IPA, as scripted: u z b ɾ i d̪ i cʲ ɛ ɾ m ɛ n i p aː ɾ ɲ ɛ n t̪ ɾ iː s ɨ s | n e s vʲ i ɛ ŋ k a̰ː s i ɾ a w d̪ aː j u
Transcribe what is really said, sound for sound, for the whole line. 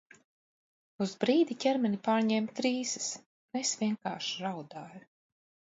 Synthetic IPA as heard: u z b ɾ iː d̪ i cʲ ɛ ɾ m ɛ n i p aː ɾ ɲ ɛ m t̪ ɾ iː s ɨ s | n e s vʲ i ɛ ŋ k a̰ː ʃ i ɾ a w d̪ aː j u